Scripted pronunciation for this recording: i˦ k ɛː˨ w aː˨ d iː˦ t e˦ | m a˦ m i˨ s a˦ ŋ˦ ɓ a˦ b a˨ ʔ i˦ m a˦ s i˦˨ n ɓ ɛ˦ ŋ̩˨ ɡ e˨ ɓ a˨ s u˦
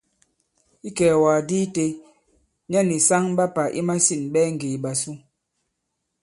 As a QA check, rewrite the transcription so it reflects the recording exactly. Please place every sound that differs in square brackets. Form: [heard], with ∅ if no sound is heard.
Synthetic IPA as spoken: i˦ k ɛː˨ w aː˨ d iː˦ t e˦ | [ɲ] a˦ [n] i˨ s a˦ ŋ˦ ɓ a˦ [p] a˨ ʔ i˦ m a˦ s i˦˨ n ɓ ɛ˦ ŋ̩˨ ɡ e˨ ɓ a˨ s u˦

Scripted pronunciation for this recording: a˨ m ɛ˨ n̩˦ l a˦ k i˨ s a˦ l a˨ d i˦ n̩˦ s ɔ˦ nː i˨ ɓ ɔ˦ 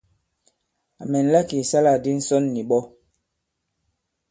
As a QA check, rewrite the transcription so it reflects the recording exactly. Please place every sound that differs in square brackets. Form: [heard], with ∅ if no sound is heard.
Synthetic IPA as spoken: a˨ m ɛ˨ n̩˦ l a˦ k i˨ s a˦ l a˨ d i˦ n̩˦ s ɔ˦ nː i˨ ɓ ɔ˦

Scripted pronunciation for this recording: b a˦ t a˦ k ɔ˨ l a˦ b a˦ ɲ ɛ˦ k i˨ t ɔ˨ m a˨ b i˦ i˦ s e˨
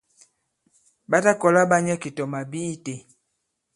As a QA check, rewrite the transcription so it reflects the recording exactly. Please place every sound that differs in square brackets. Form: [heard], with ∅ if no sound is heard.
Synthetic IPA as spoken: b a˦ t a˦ k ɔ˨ l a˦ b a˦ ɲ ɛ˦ k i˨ t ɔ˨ m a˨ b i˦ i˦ [t] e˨

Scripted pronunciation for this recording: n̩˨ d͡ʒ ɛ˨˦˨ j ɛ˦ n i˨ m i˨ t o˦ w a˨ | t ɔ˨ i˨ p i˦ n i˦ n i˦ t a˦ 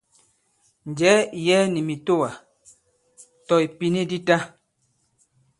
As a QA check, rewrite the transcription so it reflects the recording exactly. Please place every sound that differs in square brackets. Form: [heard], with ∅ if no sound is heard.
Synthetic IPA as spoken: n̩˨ d͡ʒ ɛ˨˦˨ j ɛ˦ n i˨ m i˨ t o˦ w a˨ | t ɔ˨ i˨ p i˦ n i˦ [d] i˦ t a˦

